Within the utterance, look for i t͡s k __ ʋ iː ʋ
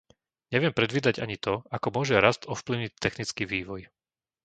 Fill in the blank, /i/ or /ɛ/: i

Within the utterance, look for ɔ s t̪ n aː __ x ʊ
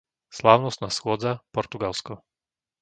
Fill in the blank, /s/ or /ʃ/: s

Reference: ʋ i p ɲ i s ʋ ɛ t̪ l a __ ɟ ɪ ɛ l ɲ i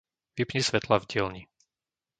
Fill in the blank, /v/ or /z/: v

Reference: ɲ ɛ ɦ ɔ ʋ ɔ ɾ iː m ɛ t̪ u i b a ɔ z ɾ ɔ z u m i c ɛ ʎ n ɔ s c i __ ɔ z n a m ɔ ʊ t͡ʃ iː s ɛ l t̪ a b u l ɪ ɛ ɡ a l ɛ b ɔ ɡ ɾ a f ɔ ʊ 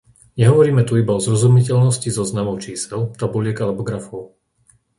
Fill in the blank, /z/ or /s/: z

